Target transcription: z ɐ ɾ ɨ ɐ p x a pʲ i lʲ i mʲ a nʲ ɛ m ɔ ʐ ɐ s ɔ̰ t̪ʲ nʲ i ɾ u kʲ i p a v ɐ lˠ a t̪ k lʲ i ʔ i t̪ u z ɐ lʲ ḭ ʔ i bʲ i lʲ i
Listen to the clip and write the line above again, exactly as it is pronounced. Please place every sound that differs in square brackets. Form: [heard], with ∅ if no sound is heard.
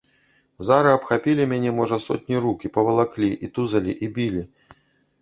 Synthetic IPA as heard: z [a] ɾ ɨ ɐ p x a pʲ i lʲ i mʲ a nʲ ɛ m ɔ ʐ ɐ s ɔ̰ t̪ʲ nʲ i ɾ u kʲ i p [ɐ] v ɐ lˠ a [∅] k lʲ i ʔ i t̪ u z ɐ lʲ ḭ ʔ i bʲ i lʲ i